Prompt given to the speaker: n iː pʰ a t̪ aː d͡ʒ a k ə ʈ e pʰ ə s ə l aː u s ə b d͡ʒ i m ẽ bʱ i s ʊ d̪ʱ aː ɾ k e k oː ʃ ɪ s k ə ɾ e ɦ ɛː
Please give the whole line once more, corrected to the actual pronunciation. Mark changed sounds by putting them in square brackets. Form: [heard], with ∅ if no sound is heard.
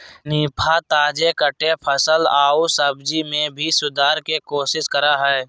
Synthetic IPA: n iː pʰ a t̪ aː d͡ʒ [e] k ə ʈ e pʰ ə s ə l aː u s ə b d͡ʒ i m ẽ bʱ i s ʊ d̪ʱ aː ɾ k e k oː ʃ ɪ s k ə ɾ [a] ɦ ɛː